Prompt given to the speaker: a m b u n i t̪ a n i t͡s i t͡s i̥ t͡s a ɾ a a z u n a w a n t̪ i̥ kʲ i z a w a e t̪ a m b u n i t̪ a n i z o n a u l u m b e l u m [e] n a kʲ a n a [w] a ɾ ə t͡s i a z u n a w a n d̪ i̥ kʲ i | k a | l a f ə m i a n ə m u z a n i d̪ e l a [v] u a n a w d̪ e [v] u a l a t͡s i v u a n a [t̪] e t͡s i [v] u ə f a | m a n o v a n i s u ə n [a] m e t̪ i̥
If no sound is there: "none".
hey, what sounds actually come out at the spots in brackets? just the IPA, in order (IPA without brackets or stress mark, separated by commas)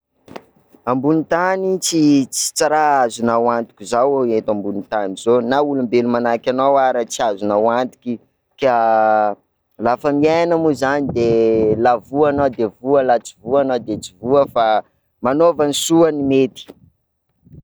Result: a, w, v, v, d̪, v, i